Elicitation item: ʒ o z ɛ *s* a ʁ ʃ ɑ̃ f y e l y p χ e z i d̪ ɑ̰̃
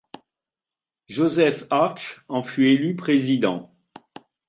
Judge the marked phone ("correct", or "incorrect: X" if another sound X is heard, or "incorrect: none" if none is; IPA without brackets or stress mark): incorrect: f